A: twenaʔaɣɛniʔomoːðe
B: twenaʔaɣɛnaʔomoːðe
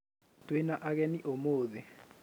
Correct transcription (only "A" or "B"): A